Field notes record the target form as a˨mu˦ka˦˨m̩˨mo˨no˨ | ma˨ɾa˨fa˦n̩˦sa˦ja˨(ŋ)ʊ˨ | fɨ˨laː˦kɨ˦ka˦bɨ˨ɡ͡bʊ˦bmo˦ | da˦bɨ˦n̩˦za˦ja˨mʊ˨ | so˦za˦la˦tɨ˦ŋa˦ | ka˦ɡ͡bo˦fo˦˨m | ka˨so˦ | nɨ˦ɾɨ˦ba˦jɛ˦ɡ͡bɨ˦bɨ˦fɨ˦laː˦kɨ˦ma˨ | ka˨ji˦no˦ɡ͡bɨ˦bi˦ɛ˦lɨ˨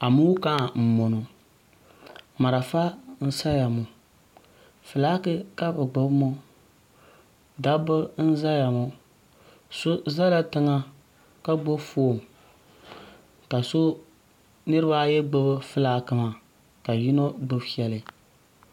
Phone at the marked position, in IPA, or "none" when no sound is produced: m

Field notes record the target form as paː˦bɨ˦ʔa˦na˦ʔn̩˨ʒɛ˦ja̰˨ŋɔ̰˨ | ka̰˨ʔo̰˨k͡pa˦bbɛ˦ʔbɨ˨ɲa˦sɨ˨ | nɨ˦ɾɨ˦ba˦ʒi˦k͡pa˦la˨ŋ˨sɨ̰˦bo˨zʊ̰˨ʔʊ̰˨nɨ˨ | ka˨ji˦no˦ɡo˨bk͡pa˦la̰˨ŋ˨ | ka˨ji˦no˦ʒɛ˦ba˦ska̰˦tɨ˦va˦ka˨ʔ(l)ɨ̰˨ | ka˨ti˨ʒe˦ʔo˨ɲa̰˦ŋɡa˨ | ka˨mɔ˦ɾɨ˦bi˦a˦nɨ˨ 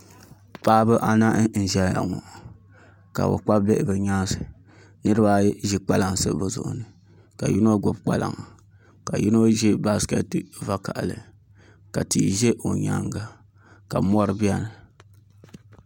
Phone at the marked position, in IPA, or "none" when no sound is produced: l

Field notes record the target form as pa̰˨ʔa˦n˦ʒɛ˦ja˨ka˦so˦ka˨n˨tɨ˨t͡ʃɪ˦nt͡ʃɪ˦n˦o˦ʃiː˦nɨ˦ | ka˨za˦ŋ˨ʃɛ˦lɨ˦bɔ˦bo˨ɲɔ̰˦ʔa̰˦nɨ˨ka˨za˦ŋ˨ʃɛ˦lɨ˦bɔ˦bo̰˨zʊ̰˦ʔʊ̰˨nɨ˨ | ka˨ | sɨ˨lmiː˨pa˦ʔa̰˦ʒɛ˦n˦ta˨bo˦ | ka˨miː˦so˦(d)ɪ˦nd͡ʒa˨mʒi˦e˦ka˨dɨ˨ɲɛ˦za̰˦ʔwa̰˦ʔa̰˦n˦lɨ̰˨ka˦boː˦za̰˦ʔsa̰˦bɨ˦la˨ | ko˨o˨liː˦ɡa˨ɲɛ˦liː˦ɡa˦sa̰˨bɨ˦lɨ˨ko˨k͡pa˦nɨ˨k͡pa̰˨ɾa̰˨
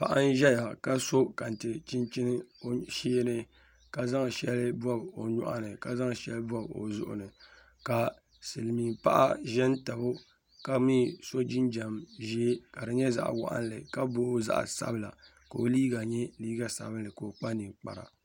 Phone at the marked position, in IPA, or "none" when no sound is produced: d͡ʒ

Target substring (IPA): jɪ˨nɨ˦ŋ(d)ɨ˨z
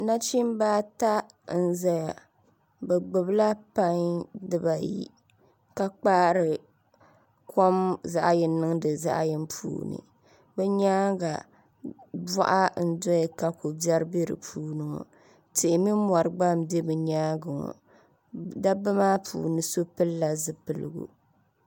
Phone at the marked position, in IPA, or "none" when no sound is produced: d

